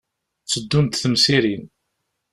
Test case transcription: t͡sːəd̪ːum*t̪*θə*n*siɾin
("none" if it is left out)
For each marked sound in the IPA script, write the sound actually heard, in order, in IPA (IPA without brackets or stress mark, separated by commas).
t̪, m